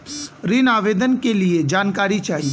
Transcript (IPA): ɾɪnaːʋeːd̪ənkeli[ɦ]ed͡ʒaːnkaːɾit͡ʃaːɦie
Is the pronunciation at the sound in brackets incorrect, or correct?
incorrect